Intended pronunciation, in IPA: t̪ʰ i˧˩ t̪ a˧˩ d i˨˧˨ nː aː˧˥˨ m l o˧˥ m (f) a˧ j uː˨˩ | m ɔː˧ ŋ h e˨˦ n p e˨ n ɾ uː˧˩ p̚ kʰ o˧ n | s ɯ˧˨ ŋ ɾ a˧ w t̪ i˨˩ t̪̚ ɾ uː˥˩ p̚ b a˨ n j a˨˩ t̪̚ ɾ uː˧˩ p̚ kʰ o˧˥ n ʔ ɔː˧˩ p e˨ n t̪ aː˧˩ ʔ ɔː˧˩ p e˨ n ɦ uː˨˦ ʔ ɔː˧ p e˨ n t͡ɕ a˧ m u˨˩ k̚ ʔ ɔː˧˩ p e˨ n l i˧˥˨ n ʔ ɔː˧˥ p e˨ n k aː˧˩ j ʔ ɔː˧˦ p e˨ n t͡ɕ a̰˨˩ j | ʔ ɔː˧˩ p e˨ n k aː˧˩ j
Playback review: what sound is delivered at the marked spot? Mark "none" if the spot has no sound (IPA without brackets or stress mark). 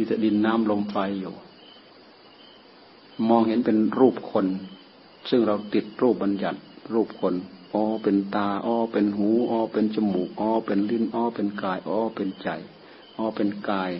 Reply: f